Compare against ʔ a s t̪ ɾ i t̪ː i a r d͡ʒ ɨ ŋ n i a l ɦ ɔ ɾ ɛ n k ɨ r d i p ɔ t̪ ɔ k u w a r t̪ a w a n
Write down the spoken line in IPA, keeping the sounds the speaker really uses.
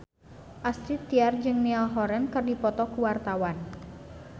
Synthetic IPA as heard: ʔ a s t̪ ɾ i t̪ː i a r d͡ʒ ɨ ŋ n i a l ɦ ɔ ɾ ɛ n k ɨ r d i p ɔ t̪ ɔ k u w a r t̪ a w a n